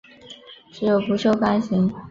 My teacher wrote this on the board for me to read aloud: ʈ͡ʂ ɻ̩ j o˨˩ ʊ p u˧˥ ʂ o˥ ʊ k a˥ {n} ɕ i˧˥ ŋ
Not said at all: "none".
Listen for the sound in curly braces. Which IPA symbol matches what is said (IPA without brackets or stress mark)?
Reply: n